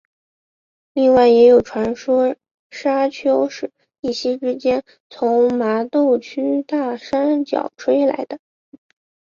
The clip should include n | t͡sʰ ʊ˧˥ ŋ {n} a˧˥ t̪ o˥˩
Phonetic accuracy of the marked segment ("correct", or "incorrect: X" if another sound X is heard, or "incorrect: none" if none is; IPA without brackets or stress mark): incorrect: m